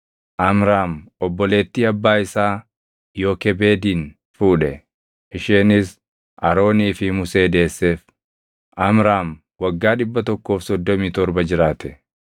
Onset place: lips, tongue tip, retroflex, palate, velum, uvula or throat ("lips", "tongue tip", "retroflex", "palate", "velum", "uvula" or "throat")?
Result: throat